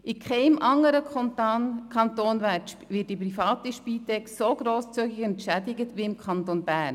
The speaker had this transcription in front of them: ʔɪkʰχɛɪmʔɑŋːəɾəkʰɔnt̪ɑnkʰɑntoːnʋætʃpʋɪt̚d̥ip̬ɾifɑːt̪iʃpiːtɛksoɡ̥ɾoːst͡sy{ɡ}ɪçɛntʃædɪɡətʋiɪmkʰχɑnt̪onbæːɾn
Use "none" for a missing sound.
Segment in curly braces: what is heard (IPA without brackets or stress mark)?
ɡ